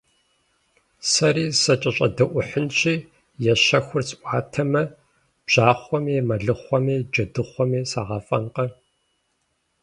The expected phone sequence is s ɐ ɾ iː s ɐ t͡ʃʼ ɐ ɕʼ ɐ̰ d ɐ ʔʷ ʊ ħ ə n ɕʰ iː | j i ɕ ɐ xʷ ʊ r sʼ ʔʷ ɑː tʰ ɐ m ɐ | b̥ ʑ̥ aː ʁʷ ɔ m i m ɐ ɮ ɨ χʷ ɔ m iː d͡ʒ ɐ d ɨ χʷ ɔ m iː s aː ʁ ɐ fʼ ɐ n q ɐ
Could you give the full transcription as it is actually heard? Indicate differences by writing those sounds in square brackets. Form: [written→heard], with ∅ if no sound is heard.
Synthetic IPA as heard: s ɐ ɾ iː s ɐ t͡ʃʼ ɐ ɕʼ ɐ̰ d ɐ ʔʷ ʊ ħ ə n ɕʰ iː | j [i→ɛ] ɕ ɐ xʷ ʊ r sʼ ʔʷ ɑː tʰ ɐ m ɐ | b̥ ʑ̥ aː [ʁʷ→χʷ] ɔ m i m ɐ ɮ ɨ χʷ ɔ m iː d͡ʒ ɐ d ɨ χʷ ɔ m iː s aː ʁ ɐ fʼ ɐ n q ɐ